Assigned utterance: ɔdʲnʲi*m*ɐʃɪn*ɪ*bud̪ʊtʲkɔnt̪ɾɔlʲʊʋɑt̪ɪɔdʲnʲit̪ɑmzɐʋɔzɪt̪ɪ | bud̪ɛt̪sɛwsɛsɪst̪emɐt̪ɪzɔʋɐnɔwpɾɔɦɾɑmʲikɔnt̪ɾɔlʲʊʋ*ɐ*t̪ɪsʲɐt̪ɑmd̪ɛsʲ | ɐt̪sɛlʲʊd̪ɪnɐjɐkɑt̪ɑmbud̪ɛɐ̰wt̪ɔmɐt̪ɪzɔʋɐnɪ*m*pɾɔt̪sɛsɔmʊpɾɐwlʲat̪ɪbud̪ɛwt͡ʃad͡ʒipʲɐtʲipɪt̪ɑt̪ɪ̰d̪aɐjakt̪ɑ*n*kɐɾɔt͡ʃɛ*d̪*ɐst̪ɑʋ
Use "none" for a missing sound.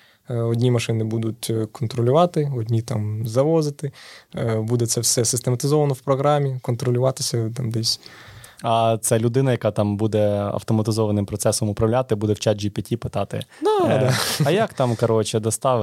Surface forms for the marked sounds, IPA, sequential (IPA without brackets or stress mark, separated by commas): m, ɪ, ɑ, m, m, d̪